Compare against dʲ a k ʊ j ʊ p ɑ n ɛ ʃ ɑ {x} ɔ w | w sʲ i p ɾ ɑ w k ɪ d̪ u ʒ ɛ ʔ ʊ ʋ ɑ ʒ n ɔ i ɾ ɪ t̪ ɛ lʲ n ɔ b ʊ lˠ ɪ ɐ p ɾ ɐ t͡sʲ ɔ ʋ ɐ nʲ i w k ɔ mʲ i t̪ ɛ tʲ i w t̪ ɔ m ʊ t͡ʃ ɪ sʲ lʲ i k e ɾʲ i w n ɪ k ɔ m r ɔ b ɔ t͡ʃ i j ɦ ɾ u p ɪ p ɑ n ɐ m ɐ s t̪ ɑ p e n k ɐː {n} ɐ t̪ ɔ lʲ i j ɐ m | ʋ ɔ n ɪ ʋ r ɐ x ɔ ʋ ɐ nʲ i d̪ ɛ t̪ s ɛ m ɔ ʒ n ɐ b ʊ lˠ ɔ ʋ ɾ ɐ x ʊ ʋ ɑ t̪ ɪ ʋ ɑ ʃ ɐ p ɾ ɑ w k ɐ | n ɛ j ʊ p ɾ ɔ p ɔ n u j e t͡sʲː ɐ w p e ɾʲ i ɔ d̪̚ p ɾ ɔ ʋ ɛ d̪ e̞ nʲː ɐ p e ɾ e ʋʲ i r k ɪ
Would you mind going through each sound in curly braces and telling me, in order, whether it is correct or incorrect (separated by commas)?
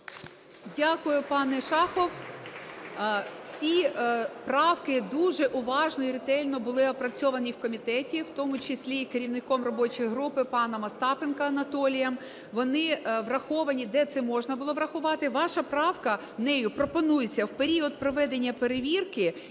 correct, correct